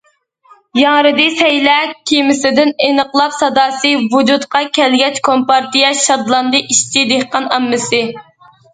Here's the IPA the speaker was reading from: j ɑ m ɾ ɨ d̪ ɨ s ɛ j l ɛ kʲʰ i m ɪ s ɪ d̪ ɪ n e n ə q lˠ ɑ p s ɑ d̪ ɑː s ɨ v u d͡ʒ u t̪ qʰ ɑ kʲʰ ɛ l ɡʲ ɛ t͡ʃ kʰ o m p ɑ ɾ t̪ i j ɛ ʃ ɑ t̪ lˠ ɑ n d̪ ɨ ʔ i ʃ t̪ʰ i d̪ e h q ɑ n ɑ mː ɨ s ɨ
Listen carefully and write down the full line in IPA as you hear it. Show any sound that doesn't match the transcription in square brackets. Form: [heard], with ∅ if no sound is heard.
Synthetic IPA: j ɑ [ŋ] ɾ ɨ d̪ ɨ s ɛ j l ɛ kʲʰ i m ɪ s ɪ d̪ ɪ n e n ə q lˠ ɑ p s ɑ d̪ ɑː s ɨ v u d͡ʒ u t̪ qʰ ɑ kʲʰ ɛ l ɡʲ ɛ t͡ʃ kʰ o m p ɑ ɾ t̪ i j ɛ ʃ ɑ [d̪] lˠ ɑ n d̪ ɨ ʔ i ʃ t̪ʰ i d̪ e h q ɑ n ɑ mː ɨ s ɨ

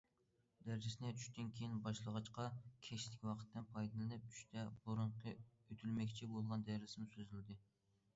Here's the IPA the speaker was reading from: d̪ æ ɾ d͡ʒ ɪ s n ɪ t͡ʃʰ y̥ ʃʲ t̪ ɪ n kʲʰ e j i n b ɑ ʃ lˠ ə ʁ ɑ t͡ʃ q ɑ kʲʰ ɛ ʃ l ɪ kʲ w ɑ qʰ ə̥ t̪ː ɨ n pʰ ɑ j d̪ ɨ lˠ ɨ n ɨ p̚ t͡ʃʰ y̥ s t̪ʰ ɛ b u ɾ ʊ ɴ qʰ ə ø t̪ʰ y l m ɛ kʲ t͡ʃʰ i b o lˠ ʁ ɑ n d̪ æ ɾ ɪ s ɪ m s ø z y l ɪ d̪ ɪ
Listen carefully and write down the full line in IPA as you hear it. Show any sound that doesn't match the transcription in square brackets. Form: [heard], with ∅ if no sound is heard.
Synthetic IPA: d̪ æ ɾ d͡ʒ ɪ s n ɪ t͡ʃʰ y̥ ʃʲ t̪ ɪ n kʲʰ e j i n b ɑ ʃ lˠ ə ʁ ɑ t͡ʃ q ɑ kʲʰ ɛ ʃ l ɪ kʲ w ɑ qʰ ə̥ t̪ː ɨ n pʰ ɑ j d̪ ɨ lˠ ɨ n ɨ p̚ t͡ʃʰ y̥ [ʃ] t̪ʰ ɛ b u ɾ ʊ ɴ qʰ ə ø t̪ʰ y l m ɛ kʲ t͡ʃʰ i b o lˠ ʁ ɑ n d̪ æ ɾ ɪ s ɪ m s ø z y l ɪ d̪ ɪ

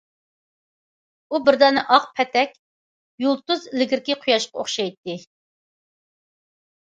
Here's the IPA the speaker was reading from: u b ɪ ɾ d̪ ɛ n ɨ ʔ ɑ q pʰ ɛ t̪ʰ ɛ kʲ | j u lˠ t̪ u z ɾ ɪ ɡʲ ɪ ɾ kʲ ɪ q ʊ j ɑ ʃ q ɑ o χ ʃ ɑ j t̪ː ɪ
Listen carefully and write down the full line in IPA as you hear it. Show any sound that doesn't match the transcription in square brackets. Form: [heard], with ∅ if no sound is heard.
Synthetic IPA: u b ɪ ɾ d̪ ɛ n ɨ ʔ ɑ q pʰ ɛ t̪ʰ ɛ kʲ | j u lˠ t̪ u z [l] ɪ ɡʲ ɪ ɾ kʲ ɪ [qʰ] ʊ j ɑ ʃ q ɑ o χ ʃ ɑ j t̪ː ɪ

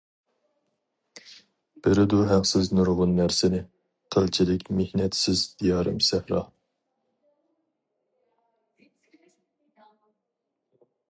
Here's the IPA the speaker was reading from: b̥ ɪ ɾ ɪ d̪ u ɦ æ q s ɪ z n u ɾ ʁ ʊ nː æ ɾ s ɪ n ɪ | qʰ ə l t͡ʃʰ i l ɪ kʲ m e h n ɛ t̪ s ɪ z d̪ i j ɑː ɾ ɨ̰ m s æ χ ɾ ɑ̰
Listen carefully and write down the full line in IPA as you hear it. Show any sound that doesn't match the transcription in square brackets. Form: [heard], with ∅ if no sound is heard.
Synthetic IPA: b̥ ɪ ɾ ɪ d̪ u ɦ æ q s ɪ z n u ɾ ʁ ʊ nː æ ɾ s ɪ n ɪ | qʰ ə l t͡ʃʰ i l ɪ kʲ m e h n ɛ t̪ s ɪ z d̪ i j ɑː ɾ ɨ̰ m s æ [h] ɾ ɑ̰

